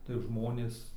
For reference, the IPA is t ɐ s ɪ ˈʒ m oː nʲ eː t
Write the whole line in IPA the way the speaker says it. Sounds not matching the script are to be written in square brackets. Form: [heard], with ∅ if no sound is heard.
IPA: t ɐ [∅] ɪ ˈʒ m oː nʲ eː [s]